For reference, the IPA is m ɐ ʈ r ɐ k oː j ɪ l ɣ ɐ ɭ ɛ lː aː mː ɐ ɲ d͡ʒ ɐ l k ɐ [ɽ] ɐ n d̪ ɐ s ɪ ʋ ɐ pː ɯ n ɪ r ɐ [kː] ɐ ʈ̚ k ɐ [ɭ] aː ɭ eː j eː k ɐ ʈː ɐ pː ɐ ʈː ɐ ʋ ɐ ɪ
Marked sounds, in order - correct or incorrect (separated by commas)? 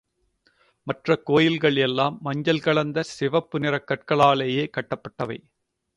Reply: incorrect, correct, correct